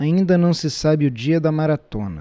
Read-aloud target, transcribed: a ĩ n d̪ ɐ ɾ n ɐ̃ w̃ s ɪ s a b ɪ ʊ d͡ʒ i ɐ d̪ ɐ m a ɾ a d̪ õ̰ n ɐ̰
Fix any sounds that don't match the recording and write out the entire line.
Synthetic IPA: a ĩ n d̪ ɐ n ɐ̃ w̃ s ɪ s a b ɪ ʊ d͡ʒ i ɐ d̪ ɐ m a ɾ a t̪ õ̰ n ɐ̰